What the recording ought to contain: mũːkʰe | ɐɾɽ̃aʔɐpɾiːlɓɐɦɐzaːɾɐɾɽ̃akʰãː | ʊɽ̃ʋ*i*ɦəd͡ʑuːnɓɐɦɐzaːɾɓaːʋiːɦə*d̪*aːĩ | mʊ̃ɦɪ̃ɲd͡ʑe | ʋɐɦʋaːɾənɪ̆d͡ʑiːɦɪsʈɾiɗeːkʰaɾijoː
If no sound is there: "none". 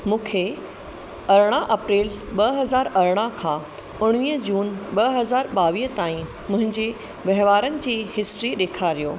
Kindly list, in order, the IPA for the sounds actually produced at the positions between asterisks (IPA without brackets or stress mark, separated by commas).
iː, t̪